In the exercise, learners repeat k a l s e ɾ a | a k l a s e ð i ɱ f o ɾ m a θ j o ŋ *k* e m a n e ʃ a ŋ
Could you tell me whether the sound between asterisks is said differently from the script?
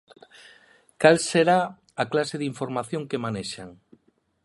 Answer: no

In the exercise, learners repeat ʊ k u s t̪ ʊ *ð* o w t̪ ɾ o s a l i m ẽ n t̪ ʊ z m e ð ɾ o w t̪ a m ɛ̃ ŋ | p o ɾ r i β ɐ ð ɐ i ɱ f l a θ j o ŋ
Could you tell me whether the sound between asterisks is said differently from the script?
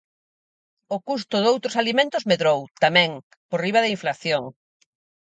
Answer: no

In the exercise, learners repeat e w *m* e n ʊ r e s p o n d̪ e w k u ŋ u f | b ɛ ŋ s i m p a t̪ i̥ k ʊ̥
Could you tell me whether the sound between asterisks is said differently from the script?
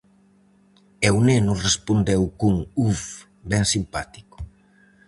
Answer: yes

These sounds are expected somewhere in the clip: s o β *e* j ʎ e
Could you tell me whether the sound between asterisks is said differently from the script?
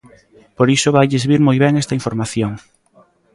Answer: yes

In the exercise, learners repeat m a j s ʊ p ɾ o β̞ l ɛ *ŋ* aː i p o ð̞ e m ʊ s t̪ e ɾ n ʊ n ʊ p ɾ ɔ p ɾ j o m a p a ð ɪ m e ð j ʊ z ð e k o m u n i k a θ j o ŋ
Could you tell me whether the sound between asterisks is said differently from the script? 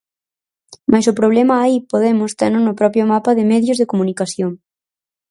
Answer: yes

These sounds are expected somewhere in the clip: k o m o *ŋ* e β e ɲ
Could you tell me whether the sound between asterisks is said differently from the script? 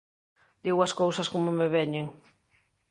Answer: yes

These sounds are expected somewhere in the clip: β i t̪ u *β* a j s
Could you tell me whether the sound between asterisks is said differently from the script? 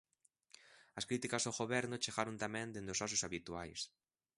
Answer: yes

